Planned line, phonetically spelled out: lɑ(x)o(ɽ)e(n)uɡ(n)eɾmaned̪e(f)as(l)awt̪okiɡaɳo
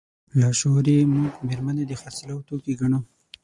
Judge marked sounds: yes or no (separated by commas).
no, no, no, no, no, yes